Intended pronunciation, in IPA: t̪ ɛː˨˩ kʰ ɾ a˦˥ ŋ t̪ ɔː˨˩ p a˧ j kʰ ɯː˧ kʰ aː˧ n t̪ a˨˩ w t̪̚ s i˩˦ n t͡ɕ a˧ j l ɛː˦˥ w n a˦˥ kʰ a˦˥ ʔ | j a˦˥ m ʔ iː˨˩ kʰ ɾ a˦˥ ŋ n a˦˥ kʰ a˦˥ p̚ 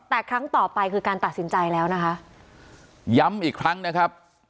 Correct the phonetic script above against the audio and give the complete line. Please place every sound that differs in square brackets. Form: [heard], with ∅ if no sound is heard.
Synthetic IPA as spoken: t̪ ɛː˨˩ kʰ ɾ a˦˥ ŋ t̪ ɔː˨˩ p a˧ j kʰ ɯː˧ [k] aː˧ n t̪ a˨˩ [∅] t̪̚ s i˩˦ n t͡ɕ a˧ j l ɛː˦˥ w n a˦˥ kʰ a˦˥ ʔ | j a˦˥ m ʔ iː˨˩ kʰ ɾ a˦˥ ŋ n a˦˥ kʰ a˦˥ p̚